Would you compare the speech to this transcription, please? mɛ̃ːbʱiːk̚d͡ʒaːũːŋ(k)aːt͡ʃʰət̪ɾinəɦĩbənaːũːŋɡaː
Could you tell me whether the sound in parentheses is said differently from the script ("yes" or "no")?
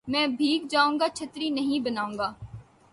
yes